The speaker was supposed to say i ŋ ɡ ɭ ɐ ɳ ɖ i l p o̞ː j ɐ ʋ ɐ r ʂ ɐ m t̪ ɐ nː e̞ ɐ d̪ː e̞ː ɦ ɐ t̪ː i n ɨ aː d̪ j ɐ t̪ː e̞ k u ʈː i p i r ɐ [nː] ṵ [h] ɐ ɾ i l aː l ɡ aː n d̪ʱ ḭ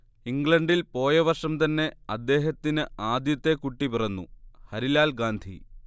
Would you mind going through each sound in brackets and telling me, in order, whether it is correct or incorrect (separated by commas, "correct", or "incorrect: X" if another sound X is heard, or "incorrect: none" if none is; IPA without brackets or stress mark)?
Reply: correct, correct